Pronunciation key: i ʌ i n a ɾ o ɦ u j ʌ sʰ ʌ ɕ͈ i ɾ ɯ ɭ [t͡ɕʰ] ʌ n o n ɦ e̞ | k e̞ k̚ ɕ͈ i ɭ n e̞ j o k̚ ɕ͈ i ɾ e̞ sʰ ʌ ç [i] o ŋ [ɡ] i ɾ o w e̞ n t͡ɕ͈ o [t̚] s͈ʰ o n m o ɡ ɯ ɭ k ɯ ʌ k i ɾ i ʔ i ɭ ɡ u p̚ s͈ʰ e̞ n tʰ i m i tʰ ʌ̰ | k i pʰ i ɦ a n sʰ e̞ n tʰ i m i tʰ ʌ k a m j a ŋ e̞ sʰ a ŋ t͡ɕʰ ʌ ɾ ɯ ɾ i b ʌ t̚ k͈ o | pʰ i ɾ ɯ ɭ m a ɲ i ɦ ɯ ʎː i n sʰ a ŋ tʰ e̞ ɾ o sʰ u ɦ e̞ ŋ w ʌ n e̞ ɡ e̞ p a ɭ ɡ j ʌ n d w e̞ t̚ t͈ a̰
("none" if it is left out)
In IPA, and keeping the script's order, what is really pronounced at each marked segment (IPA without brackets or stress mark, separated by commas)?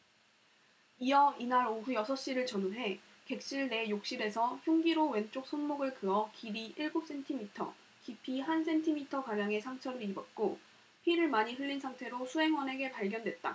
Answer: t͡ɕ, j, ɡ, k̚